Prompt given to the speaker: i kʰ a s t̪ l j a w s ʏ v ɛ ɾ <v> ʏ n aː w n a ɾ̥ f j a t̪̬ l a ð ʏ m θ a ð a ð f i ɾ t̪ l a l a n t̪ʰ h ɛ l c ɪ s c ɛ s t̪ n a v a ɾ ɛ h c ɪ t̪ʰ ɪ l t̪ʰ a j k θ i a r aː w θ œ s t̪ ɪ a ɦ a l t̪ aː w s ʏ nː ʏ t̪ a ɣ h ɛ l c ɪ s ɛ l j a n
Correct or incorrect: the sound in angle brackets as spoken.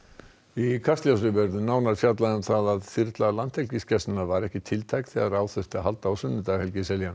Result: incorrect: ð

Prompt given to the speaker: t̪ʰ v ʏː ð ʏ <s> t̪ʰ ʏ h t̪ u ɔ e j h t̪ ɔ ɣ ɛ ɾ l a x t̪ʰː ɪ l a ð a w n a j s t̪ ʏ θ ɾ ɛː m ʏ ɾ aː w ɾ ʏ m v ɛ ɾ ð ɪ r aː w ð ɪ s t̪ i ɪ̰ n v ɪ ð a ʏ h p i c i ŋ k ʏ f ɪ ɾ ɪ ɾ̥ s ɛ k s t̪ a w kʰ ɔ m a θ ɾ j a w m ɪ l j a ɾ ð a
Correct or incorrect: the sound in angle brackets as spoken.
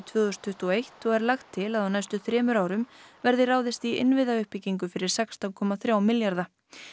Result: correct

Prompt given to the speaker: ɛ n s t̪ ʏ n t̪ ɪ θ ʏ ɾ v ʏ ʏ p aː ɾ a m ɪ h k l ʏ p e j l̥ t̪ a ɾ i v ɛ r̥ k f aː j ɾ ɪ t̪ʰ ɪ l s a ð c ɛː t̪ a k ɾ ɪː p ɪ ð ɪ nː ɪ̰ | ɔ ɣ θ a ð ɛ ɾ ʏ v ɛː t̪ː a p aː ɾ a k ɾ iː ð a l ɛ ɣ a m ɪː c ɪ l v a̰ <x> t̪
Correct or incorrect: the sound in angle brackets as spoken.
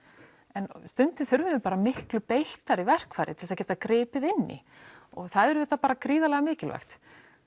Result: correct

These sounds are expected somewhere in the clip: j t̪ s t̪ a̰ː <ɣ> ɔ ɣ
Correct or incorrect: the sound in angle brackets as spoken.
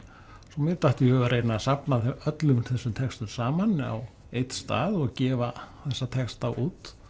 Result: incorrect: ð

